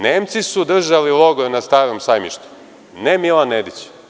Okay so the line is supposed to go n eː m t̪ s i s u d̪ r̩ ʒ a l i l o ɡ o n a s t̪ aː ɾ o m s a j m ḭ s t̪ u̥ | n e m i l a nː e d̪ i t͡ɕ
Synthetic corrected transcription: n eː m t̪ s i s u d̪ r̩ ʒ a l i l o ɡ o n a s t̪ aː ɾ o m s a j m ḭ ʃ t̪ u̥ | n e m i l a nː e d̪ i t͡ɕ